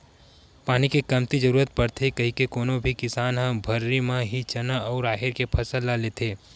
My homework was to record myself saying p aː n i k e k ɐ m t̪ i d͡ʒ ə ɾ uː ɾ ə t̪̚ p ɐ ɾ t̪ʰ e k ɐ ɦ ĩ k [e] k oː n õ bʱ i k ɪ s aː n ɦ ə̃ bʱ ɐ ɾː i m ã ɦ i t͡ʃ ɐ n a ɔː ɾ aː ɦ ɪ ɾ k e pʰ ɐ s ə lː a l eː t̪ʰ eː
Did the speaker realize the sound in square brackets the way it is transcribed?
yes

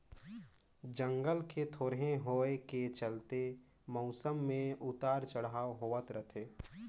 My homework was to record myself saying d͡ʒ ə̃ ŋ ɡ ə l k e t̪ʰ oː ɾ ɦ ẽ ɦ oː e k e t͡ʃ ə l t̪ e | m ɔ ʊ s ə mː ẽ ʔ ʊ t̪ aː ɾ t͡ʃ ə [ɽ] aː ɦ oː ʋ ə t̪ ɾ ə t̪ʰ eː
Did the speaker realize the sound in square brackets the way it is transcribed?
yes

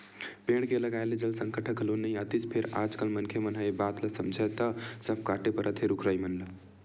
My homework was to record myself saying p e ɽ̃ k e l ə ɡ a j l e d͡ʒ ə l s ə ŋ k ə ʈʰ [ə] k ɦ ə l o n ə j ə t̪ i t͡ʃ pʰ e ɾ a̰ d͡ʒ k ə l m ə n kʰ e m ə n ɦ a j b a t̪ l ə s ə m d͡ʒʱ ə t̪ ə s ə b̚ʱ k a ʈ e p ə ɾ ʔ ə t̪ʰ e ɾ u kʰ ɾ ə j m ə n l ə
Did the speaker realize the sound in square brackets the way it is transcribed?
yes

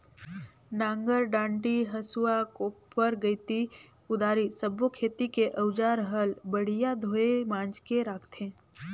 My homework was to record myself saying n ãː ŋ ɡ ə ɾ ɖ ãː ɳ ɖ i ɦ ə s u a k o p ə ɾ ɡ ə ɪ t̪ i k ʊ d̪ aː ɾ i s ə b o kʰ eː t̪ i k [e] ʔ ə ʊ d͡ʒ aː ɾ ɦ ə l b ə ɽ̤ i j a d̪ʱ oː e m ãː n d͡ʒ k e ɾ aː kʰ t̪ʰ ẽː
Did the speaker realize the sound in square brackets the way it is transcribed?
yes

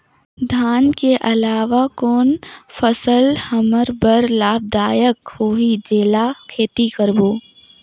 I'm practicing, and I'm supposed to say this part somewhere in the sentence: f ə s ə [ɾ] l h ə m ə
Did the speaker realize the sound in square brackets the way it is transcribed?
no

